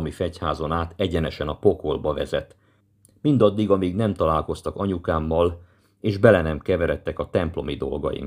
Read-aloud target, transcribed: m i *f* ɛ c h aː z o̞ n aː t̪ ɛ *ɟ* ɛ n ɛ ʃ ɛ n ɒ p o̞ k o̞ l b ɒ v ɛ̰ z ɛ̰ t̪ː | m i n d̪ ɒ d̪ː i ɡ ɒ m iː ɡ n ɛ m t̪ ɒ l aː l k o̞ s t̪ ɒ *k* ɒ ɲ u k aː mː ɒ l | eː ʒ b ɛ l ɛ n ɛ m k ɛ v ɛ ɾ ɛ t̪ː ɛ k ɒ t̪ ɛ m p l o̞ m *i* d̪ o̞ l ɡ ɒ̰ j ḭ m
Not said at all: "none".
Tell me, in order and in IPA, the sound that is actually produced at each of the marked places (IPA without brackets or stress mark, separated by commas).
f, ɟ, k, i